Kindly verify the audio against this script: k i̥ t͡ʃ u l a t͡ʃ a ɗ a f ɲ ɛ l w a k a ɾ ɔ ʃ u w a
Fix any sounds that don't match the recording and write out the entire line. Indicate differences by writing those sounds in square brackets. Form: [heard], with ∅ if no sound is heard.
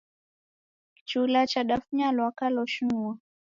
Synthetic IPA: k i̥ t͡ʃ u l a t͡ʃ a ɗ a f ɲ [a] l w a k a [l] ɔ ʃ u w a